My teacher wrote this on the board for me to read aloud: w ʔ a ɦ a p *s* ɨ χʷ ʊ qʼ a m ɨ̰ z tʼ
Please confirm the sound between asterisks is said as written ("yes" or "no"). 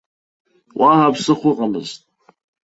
yes